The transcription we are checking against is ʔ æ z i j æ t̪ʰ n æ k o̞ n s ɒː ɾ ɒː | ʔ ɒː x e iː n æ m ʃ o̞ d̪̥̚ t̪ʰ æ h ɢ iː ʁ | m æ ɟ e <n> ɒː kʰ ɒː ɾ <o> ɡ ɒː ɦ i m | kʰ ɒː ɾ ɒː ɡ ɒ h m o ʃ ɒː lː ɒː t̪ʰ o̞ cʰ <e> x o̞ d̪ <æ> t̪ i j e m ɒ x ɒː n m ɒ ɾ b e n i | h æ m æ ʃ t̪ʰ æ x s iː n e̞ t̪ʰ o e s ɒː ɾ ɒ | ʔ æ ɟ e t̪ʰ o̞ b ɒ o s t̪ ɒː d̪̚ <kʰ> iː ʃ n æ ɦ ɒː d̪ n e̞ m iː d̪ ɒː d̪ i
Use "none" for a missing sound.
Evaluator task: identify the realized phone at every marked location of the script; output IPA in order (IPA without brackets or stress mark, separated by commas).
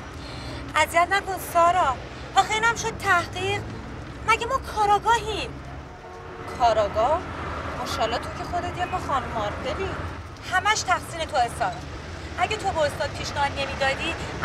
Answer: m, ɒ, e, e, pʰ